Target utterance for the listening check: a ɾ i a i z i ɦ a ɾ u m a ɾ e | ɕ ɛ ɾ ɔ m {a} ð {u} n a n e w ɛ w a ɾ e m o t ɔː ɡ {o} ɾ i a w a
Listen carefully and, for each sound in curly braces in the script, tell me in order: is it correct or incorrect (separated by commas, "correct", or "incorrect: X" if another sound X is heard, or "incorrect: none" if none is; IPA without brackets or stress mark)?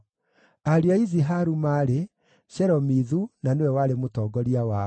incorrect: i, correct, incorrect: ɔ